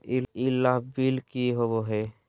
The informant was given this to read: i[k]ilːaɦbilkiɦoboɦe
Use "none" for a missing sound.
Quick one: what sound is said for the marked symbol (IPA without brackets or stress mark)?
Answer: none